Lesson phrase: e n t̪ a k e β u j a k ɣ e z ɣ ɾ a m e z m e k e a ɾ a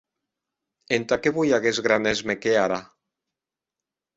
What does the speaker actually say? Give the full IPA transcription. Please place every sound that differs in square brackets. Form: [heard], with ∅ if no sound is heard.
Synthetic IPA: e n t̪ a k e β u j a [∅] ɣ e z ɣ ɾ a [n] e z m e k e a ɾ a